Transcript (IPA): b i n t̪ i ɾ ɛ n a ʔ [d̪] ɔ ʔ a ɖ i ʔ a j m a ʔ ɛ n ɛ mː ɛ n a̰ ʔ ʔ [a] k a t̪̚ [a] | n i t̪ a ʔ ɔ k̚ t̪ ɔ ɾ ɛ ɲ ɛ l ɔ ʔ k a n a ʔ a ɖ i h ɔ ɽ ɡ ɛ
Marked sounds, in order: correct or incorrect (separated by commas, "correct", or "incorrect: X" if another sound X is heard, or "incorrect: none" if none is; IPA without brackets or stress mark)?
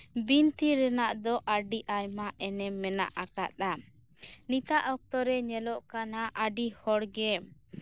correct, correct, correct